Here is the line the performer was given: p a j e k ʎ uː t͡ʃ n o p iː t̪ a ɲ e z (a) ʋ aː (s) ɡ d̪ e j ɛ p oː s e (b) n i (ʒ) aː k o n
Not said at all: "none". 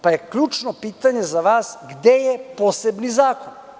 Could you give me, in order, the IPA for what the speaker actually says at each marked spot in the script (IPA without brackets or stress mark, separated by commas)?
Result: a, s, b, z